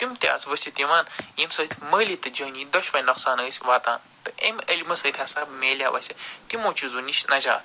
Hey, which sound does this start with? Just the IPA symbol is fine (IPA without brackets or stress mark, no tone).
t̪